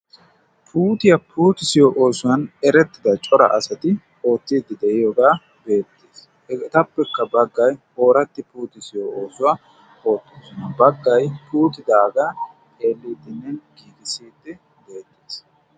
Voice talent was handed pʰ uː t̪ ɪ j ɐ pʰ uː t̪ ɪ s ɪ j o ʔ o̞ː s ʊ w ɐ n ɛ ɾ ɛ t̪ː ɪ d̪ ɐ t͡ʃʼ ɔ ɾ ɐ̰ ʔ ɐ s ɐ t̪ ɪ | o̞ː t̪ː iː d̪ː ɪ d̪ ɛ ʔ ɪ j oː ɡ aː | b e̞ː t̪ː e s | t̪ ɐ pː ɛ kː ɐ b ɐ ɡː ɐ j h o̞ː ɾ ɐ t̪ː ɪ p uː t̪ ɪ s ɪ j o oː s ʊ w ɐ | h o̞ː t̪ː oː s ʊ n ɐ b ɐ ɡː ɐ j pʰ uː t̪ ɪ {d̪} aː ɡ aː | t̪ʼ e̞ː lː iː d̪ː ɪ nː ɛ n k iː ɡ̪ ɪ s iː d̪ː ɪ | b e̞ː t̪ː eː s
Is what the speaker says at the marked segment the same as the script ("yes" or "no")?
yes